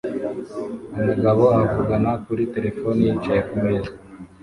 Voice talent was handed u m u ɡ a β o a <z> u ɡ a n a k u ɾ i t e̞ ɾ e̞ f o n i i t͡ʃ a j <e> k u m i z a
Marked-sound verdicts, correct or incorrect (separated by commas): incorrect, correct